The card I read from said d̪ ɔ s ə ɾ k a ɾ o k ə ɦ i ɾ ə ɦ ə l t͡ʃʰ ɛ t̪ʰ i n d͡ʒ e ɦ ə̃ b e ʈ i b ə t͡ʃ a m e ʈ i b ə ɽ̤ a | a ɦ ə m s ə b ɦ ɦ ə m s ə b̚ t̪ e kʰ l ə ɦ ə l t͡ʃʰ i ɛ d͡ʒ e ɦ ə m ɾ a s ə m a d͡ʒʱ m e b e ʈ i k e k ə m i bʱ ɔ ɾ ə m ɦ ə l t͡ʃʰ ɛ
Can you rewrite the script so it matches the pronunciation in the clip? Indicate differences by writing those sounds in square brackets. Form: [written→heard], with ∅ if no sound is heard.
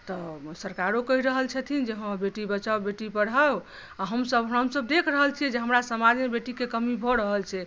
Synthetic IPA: [d̪→t̪] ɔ s ə ɾ k a ɾ o k ə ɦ i ɾ ə ɦ ə l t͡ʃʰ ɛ t̪ʰ i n d͡ʒ e ɦ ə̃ b e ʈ i b ə t͡ʃ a [m→b] e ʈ i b ə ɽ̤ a | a ɦ ə m s ə b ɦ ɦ ə m s ə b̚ [t̪→d̪] e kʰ [l→ɾ] ə ɦ ə l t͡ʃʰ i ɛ d͡ʒ e ɦ ə m ɾ a s ə m a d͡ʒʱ m e b e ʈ i k e k ə m i bʱ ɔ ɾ ə [m→∅] ɦ ə l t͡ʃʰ ɛ